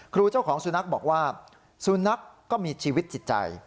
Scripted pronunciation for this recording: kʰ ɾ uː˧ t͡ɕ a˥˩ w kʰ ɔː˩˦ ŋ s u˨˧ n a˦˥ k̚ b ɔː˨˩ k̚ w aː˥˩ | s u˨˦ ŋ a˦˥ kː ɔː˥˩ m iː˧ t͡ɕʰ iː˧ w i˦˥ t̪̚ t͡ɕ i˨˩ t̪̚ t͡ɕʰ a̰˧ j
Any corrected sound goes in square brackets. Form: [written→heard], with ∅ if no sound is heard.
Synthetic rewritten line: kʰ ɾ uː˧ t͡ɕ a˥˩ w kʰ ɔː˩˦ ŋ s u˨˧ n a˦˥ k̚ b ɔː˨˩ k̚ w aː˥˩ | s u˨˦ [ŋ→n] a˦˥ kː ɔː˥˩ m iː˧ t͡ɕʰ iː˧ w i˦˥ t̪̚ t͡ɕ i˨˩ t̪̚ [t͡ɕʰ→t͡ɕ] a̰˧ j